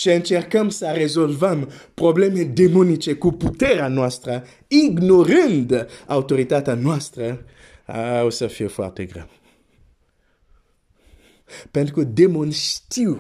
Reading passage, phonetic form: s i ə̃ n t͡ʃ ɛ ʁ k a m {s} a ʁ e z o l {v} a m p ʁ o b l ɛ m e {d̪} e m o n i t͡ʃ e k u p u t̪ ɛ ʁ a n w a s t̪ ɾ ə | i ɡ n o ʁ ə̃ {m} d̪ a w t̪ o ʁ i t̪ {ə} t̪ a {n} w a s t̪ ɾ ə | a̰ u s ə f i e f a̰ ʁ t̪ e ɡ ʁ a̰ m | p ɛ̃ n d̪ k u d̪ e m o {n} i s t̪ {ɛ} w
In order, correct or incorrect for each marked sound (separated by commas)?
correct, correct, correct, incorrect, incorrect, correct, correct, incorrect